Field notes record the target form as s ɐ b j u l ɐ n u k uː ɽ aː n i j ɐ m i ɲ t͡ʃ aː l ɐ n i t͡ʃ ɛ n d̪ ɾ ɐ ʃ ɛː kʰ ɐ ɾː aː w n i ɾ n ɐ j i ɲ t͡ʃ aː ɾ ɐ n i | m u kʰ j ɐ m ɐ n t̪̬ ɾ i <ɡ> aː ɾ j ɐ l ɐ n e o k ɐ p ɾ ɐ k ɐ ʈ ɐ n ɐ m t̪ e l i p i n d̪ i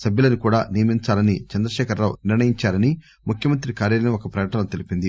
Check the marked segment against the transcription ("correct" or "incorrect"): incorrect